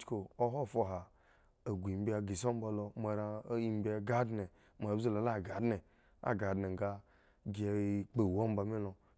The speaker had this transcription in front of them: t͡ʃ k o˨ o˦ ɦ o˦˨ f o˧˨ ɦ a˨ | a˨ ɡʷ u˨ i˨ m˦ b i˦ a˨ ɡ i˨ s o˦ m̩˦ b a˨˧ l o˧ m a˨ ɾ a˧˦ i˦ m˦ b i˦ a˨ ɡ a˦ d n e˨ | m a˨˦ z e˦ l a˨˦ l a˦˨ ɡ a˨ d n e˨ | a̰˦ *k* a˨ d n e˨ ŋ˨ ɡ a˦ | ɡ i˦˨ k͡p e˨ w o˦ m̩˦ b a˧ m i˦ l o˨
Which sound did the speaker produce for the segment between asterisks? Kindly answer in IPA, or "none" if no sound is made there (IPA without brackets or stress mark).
ɡ